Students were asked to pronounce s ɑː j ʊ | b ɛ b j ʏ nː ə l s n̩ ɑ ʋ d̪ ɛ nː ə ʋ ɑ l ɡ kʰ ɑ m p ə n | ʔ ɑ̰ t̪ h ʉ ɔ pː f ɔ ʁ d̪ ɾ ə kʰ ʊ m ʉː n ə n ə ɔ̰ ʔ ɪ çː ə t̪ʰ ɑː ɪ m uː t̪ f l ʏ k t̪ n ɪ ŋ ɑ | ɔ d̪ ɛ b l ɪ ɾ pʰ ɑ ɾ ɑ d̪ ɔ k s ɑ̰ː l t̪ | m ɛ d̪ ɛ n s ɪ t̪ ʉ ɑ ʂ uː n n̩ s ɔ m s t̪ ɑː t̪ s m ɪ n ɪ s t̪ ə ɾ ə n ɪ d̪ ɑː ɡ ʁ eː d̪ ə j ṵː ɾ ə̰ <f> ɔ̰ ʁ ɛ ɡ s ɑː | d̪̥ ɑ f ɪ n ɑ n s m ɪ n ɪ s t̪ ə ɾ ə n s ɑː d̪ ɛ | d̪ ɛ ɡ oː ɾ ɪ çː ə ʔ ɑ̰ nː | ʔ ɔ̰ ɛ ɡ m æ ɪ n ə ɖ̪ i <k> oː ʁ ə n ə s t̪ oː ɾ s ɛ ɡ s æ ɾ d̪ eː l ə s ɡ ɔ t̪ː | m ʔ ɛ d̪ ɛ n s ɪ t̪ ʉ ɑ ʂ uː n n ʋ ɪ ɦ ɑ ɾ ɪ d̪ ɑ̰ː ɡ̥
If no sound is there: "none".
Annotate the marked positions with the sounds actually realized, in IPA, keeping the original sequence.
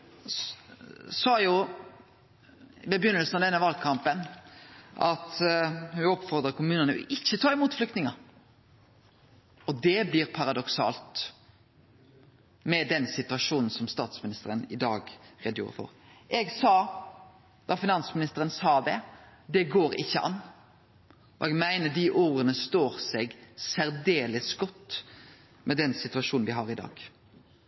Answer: f, ʔ

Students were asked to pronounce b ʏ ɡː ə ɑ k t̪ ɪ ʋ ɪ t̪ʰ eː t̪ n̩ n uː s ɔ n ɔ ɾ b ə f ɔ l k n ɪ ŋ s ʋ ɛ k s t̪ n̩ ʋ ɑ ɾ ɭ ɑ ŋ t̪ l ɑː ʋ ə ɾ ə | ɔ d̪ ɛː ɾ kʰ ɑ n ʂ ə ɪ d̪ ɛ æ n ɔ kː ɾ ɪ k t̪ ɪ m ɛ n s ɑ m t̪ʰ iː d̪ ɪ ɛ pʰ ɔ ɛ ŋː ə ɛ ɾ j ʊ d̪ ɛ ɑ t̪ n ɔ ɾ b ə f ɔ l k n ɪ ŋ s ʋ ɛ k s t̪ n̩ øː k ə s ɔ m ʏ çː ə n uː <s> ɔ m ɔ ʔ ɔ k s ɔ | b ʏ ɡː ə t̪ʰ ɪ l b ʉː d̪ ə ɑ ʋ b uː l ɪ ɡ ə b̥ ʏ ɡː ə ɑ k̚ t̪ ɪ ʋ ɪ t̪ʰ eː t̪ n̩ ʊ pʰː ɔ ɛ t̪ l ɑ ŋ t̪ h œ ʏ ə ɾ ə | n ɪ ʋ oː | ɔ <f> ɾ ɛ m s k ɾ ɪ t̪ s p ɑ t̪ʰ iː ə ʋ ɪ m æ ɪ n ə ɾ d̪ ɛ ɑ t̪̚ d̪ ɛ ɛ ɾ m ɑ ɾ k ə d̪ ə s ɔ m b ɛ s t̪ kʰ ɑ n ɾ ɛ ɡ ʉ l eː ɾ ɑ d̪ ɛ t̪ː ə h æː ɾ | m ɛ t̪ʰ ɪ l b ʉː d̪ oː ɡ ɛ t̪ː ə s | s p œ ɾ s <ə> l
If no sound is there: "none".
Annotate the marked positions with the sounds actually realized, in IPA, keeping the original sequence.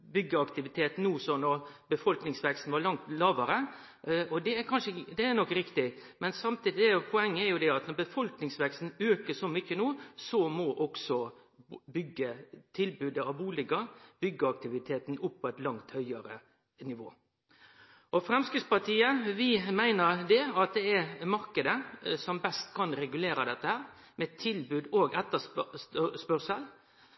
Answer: s, f, ə

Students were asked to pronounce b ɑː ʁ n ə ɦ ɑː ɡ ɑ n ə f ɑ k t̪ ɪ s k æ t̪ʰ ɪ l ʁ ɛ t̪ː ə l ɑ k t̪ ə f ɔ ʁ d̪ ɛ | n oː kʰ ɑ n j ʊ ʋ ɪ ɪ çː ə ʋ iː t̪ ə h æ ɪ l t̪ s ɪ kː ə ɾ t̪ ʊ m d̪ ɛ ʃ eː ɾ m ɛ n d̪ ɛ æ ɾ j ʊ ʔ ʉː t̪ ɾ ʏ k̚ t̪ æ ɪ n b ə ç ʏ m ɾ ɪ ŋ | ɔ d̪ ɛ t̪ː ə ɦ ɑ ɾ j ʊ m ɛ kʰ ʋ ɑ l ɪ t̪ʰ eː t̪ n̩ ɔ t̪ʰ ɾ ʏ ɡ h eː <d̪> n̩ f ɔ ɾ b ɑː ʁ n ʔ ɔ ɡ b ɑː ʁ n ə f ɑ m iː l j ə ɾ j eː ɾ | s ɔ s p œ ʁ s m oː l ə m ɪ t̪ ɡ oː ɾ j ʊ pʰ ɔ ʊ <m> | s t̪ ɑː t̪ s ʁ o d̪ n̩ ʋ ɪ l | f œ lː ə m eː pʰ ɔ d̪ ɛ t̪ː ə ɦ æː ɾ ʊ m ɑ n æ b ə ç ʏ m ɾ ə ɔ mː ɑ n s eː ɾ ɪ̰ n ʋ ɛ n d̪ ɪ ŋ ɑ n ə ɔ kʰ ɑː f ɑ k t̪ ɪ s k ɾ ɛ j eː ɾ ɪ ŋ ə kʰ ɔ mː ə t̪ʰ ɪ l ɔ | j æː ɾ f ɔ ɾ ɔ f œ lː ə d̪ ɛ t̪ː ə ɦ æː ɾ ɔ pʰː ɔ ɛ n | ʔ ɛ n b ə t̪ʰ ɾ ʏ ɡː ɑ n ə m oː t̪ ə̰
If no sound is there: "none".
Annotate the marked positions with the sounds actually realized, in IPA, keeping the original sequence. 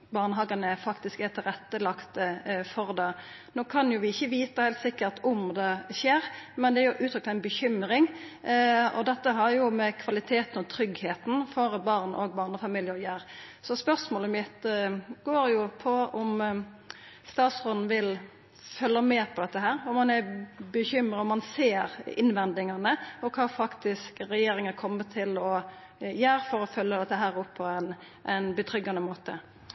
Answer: t̪, m

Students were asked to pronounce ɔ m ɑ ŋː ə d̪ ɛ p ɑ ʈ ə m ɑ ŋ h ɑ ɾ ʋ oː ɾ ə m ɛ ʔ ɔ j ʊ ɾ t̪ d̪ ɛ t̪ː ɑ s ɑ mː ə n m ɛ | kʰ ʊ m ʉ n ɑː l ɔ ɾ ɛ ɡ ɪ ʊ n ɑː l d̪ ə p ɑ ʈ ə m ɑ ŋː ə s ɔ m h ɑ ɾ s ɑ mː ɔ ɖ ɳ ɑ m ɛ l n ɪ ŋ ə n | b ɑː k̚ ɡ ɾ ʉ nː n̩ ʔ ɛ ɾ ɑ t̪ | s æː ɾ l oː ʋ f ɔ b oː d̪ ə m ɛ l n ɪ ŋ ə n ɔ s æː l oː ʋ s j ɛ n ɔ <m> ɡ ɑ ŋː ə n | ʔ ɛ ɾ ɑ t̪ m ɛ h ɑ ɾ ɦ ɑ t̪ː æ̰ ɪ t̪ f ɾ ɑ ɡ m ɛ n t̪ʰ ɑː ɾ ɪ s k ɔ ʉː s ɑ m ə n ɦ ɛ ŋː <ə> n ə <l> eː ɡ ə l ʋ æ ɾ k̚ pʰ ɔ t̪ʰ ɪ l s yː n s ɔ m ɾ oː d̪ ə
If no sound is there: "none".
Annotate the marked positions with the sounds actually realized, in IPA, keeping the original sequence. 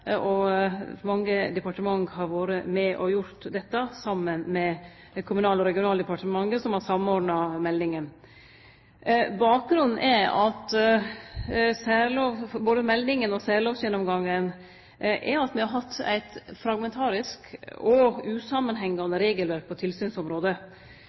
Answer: m, ɑ, ɾ

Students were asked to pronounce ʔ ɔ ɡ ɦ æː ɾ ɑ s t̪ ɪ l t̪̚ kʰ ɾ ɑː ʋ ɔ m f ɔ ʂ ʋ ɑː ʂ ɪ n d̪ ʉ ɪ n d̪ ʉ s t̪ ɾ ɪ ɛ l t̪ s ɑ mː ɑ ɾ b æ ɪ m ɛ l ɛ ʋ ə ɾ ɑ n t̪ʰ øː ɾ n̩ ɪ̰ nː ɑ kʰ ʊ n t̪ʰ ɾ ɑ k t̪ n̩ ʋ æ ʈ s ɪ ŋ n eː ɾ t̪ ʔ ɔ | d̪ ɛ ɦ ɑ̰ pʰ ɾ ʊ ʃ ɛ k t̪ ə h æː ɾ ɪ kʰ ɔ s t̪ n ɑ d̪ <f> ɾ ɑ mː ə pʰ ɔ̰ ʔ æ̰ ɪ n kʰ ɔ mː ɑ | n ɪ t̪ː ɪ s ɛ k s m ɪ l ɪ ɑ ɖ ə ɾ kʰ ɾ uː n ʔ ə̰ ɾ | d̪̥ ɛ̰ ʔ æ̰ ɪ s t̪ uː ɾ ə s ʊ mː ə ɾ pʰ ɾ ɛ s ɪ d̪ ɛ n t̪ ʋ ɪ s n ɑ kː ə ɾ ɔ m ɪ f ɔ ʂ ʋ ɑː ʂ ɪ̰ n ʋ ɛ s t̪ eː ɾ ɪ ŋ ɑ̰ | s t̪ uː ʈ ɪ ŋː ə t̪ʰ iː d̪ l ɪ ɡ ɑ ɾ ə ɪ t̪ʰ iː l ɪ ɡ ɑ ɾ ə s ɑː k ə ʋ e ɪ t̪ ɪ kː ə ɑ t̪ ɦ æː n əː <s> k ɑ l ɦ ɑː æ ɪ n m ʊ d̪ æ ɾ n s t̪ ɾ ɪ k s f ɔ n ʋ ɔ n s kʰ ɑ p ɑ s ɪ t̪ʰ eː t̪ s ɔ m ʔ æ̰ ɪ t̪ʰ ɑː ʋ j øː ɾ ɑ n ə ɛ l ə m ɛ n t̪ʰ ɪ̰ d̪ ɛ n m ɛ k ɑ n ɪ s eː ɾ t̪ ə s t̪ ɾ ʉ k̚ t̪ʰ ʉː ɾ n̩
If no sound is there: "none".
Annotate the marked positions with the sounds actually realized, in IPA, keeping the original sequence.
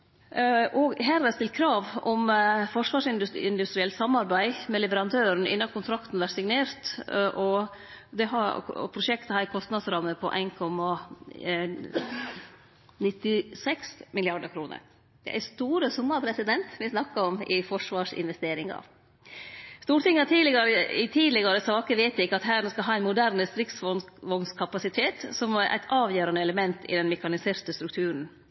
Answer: s, s

